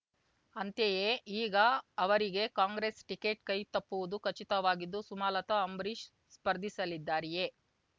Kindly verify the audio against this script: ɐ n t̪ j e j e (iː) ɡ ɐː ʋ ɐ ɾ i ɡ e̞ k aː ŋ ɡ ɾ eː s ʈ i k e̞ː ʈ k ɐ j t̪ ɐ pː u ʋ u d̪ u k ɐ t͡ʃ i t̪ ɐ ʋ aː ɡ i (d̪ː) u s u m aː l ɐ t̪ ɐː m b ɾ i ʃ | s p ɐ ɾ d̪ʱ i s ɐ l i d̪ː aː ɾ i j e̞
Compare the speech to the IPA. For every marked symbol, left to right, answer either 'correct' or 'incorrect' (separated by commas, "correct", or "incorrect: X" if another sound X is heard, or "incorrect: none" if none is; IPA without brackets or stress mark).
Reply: correct, correct